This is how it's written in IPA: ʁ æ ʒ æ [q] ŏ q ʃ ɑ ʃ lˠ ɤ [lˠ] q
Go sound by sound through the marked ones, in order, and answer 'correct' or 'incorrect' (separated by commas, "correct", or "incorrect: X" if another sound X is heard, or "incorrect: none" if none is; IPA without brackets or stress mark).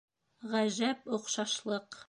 incorrect: p, incorrect: none